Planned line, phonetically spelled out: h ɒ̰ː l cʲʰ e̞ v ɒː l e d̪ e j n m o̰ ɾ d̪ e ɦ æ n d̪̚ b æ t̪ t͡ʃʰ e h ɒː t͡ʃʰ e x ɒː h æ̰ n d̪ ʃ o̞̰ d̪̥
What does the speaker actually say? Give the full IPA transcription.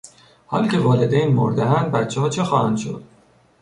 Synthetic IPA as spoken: h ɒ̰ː l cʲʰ e̞ v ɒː l e d̪ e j n m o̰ ɾ d̪ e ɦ æ n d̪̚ b æ t̪ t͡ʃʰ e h ɒː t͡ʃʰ e x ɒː h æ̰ n d̪ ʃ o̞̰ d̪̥